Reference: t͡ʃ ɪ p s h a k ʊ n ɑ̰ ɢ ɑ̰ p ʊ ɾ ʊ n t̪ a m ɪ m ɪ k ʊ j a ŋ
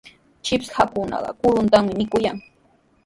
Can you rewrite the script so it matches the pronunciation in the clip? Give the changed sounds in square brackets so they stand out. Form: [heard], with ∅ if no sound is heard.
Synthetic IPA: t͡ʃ ɪ p s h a k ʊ n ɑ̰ ɢ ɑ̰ [k] ʊ ɾ ʊ n t̪ a m ɪ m ɪ k ʊ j a ŋ